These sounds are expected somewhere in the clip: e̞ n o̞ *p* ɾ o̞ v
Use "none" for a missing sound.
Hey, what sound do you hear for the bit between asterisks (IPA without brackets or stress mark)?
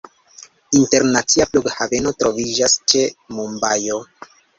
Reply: t